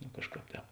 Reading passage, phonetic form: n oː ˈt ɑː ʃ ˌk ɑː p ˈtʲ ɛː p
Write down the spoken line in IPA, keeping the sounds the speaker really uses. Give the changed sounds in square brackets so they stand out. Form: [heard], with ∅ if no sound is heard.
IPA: n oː [ˈk] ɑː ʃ ˌk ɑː p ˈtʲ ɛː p